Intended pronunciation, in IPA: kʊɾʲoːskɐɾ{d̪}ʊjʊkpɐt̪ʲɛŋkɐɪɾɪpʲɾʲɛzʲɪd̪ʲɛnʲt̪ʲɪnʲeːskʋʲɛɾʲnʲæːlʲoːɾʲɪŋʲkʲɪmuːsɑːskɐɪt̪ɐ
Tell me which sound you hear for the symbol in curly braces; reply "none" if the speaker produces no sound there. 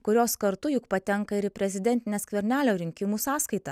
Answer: t̪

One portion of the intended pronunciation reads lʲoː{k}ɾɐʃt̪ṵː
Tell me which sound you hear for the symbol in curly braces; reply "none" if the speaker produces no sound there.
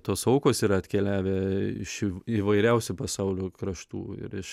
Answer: k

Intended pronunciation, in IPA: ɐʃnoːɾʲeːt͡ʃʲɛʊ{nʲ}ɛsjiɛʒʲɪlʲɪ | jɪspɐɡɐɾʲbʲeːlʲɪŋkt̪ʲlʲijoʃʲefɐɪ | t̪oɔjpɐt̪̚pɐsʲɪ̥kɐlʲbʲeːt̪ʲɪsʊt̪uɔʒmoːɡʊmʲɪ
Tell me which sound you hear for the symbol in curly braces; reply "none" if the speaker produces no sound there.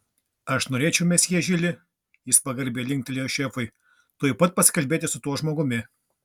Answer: mʲ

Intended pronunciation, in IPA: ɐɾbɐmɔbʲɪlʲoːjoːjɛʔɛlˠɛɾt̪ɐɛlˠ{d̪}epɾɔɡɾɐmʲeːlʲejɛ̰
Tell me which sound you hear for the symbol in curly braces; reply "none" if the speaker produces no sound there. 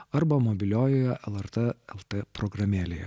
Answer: t̪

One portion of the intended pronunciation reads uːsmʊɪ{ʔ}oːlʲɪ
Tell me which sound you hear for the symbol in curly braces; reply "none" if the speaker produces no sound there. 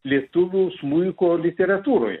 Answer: k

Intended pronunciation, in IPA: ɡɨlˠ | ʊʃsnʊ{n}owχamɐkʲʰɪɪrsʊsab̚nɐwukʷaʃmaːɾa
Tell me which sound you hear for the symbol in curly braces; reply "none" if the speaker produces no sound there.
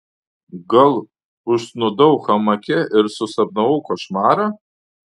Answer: d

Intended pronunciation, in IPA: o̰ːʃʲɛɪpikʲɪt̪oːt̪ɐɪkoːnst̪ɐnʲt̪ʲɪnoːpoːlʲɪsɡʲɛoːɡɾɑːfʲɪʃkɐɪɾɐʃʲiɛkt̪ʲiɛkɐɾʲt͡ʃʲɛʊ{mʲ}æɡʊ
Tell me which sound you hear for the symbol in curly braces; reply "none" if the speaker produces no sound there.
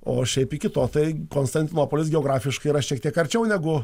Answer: nʲ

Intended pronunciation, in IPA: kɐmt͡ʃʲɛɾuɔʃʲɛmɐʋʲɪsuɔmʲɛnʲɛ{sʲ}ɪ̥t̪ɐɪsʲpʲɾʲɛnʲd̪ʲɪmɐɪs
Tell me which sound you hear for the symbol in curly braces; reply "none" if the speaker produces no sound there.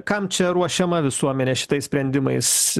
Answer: ʃʲ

